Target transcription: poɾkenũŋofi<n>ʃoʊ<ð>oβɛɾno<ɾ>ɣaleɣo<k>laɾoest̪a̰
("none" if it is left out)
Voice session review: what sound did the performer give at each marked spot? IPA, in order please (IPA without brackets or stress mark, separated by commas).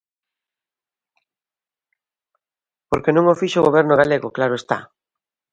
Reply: none, ɣ, none, k